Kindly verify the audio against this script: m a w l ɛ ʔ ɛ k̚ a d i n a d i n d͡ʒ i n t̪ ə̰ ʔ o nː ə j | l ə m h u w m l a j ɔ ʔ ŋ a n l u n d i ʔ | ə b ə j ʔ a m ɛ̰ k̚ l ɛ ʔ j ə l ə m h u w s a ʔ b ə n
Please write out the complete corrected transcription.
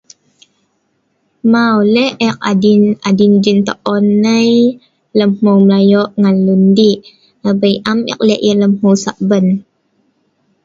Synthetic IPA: m a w l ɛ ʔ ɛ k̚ a d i n a d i n d͡ʒ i n t̪ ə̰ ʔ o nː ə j | l ə m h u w m l a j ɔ ʔ ŋ a n l u n d i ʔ | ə b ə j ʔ a m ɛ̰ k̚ l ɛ ʔ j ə l ə m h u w s a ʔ b ə n